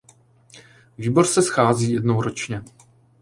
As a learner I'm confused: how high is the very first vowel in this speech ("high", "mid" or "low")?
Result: high